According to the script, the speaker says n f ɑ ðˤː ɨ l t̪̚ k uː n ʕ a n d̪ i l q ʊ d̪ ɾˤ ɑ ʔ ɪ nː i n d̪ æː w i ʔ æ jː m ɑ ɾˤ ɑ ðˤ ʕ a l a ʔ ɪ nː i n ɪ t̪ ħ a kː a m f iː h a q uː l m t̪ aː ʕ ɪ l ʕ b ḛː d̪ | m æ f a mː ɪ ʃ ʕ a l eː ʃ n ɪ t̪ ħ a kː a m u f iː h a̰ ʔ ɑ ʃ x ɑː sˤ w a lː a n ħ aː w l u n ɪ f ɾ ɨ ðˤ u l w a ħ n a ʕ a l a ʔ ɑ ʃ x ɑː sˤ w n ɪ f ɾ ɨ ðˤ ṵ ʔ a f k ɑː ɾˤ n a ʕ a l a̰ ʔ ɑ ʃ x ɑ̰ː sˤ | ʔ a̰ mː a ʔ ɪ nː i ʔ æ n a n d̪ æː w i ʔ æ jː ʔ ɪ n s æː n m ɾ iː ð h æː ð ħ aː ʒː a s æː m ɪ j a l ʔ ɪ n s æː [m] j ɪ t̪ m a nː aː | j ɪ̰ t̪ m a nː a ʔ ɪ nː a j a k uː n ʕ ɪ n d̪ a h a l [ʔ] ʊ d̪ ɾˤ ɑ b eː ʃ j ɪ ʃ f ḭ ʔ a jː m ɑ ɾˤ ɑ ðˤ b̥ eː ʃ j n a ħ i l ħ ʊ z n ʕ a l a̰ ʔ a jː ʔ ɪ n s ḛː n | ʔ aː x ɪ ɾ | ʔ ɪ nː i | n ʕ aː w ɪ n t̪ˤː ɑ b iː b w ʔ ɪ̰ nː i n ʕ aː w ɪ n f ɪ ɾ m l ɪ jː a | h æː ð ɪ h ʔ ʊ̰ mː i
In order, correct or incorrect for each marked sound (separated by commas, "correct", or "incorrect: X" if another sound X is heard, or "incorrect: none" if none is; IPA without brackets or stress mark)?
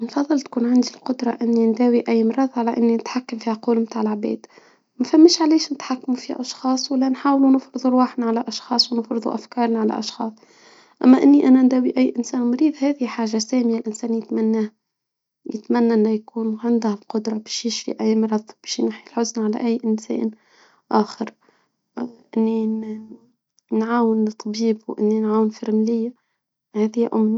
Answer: incorrect: n, incorrect: q